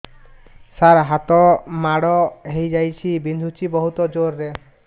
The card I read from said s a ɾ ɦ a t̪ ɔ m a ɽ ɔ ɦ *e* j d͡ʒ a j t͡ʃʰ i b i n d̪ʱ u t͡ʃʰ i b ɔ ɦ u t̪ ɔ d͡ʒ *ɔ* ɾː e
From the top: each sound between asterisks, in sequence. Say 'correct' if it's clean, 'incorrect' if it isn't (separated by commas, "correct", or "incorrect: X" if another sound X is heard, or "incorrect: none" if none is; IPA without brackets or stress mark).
correct, incorrect: o